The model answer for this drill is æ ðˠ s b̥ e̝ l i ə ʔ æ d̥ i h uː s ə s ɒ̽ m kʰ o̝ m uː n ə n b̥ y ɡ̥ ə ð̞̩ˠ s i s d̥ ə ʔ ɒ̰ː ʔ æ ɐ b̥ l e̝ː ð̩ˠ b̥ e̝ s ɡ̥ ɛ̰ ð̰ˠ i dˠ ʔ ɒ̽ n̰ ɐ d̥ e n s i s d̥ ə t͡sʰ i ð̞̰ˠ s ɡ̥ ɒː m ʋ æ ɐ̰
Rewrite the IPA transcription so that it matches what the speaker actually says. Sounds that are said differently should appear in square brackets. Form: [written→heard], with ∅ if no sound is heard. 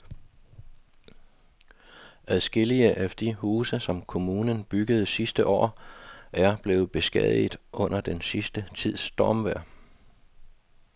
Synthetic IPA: æ ðˠ s [b̥→ɡ̥] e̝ l i ə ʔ æ d̥ i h uː s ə s ɒ̽ m kʰ o̝ m uː n ə n b̥ y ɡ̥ ə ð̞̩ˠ s i s d̥ ə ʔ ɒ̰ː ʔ æ ɐ b̥ l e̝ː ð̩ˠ b̥ e̝ s ɡ̥ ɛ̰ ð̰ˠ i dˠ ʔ [ɒ̽→ɔ̽] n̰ ɐ d̥ e n s i s d̥ ə t͡sʰ i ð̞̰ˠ s [ɡ̥→d̥] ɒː m ʋ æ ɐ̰